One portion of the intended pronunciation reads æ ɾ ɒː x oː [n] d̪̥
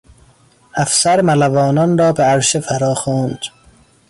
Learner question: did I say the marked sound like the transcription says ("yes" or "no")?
yes